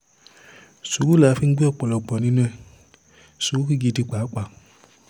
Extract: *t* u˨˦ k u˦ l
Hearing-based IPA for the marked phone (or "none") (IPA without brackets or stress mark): s